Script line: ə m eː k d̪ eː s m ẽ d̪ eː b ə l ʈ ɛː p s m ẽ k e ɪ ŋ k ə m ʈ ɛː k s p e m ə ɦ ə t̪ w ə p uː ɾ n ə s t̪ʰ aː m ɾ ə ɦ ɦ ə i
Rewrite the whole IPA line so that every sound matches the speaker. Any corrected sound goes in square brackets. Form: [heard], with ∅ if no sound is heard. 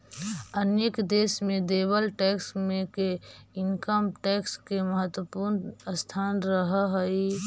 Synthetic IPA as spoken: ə [n] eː k d̪ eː s m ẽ d̪ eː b ə l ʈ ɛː [k] s m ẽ k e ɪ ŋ k ə m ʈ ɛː k s [k] e m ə ɦ ə t̪ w ə p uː ɾ n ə s t̪ʰ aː [n] ɾ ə ɦ ɦ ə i